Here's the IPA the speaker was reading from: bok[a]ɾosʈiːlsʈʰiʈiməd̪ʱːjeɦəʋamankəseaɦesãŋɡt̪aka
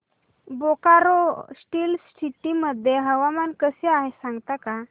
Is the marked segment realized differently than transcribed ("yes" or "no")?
no